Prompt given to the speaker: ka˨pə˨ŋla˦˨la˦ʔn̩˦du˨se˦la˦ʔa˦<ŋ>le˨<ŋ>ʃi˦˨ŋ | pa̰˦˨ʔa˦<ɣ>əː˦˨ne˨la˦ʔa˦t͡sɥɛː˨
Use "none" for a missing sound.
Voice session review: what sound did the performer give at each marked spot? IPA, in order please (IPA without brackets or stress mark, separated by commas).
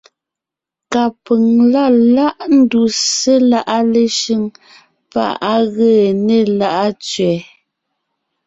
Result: none, none, ɣ